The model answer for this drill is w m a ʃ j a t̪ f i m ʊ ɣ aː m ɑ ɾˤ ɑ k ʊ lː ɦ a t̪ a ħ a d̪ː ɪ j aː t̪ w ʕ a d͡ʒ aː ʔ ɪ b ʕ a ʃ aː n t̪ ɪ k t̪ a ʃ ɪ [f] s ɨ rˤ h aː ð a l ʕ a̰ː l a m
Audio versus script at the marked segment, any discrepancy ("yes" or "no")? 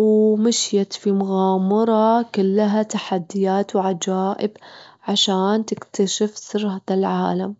no